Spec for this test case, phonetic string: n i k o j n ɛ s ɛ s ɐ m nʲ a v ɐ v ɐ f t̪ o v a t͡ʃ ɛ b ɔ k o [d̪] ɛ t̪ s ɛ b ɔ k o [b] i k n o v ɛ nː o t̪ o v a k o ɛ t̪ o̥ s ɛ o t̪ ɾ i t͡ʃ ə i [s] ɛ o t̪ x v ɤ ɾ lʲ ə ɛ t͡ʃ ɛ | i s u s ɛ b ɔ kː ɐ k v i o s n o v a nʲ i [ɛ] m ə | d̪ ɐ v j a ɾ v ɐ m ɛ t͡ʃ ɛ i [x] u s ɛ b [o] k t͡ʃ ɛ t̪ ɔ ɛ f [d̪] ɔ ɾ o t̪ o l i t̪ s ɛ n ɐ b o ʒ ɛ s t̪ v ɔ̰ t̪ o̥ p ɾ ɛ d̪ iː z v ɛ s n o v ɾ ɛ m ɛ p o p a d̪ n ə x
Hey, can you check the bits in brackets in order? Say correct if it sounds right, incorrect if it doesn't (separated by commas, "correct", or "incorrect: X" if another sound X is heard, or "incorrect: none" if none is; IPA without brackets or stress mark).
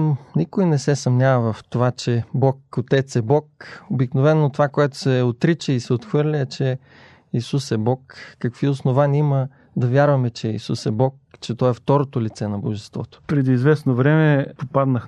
incorrect: t̪, correct, correct, incorrect: i, incorrect: s, incorrect: ɔ, incorrect: t̪